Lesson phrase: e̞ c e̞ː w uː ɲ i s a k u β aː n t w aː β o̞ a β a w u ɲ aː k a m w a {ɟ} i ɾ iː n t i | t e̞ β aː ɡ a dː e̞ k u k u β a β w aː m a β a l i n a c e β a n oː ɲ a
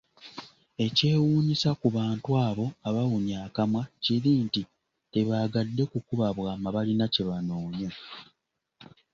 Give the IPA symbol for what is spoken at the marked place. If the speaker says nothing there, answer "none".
c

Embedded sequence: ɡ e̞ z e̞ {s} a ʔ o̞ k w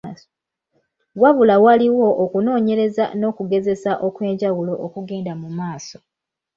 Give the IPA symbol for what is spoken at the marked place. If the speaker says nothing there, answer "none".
s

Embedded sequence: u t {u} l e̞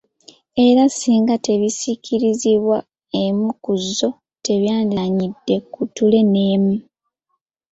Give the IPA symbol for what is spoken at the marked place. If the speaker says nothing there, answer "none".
u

